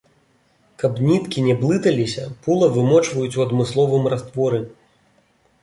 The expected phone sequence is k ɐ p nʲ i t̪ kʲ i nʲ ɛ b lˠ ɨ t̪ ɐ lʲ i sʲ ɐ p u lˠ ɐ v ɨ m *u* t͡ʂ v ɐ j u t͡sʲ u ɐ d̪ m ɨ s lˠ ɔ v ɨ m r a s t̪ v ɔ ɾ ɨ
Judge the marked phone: incorrect: ɔ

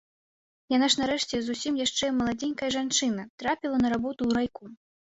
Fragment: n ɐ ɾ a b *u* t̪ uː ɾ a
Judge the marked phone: incorrect: ɔ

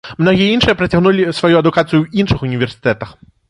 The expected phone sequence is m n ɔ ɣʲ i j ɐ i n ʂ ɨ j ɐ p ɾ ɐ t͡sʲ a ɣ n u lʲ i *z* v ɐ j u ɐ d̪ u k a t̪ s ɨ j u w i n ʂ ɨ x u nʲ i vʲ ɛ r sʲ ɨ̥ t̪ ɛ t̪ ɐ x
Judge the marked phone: incorrect: s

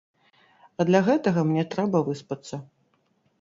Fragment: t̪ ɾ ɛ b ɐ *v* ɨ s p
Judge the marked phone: correct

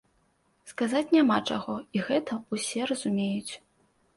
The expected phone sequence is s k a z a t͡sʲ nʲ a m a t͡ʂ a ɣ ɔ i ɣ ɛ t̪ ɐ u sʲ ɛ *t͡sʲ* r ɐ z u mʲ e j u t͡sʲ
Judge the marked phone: incorrect: none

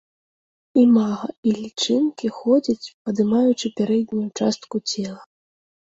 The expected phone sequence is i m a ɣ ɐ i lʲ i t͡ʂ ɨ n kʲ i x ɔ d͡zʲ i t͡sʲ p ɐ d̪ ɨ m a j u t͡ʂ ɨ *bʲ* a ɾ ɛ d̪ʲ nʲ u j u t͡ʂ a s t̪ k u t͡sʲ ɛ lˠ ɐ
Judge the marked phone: incorrect: pʲ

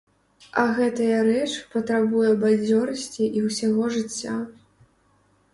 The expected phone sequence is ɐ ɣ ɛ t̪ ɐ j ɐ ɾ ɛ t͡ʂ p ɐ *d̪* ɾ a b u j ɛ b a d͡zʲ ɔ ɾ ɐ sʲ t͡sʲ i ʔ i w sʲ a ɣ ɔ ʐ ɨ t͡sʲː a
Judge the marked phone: incorrect: t̪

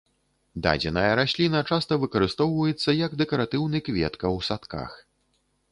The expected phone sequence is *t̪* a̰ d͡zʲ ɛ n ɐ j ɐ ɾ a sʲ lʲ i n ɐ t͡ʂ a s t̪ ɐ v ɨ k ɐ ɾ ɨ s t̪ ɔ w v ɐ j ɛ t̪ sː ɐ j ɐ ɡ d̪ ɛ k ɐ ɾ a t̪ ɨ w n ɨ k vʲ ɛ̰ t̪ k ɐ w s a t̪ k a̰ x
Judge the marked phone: incorrect: d̪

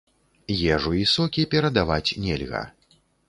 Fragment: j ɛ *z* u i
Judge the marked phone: incorrect: ʐ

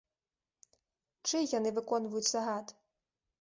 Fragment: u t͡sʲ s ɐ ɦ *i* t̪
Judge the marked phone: incorrect: a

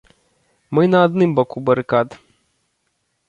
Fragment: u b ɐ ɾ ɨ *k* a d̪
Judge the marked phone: correct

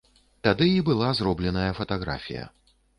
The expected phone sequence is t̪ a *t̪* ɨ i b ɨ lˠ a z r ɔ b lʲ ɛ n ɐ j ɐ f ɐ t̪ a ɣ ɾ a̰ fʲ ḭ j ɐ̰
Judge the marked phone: incorrect: d̪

